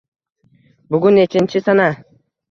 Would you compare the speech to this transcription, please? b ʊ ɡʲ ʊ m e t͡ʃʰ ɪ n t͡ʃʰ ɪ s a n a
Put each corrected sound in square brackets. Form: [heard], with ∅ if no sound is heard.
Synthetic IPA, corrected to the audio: b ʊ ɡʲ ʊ [n] e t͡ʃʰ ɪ n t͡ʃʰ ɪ s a n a